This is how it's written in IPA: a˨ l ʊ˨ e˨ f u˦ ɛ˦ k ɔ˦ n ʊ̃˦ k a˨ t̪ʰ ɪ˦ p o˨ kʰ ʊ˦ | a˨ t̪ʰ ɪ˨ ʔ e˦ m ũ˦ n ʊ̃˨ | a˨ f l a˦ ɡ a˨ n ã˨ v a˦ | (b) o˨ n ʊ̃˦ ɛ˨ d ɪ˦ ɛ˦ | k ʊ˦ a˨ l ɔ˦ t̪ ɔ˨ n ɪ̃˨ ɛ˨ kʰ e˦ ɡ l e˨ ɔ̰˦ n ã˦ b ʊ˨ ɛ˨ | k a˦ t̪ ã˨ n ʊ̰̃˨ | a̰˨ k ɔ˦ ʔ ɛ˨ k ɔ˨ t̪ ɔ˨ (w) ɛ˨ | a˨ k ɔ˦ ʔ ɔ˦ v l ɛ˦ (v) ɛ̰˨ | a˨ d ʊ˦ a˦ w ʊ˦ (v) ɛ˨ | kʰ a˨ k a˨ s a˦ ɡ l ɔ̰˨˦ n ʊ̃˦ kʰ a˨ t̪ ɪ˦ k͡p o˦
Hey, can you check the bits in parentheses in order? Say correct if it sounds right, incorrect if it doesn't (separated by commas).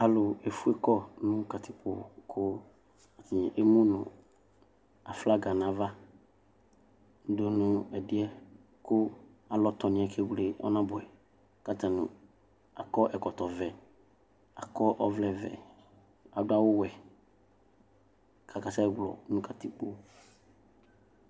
incorrect, incorrect, correct, incorrect